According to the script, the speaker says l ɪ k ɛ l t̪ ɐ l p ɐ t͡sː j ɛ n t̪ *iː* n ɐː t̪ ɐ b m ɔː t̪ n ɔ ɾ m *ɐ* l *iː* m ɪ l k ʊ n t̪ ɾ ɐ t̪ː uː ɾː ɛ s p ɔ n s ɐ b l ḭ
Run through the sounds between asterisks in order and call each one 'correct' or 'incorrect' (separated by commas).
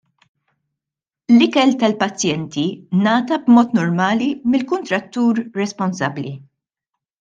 incorrect, incorrect, incorrect